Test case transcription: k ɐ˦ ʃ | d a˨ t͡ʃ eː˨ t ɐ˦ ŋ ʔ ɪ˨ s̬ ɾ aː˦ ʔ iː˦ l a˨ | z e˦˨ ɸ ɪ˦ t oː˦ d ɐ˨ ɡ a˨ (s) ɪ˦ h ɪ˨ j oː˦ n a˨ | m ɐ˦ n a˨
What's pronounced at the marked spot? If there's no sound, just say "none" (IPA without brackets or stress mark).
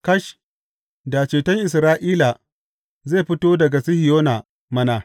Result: s